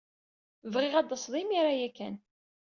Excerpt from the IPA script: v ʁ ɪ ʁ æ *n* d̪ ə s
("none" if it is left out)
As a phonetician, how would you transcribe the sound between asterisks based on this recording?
none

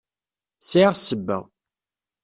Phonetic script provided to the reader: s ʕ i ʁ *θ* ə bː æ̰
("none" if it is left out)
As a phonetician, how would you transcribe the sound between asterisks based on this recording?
s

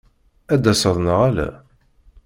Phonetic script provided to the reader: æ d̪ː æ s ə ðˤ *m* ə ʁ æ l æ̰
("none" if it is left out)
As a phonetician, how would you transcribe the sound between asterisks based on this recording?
n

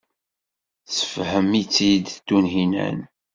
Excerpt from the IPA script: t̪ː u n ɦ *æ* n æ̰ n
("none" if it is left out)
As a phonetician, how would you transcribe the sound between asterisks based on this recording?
i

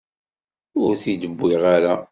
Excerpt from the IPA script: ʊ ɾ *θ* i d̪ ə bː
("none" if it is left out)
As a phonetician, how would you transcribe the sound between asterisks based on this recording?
θ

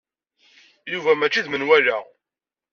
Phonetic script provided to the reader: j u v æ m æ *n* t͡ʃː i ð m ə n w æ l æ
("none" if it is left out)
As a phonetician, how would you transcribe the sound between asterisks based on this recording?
none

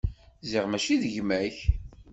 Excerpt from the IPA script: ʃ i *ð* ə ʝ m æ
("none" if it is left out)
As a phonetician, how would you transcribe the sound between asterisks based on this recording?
ð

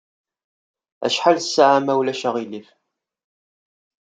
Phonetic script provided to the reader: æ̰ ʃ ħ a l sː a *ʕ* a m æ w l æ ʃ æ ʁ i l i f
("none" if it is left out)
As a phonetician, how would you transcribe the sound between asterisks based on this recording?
ʕ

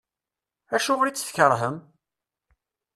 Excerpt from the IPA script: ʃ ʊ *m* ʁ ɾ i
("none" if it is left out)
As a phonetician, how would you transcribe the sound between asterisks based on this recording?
none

